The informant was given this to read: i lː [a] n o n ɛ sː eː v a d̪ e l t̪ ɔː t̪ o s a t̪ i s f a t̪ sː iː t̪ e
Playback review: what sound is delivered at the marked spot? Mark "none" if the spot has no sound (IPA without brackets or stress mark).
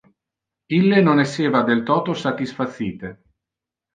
e